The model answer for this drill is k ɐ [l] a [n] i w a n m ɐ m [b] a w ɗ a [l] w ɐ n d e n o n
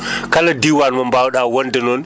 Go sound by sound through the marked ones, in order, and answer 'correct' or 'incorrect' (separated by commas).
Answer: correct, incorrect, correct, incorrect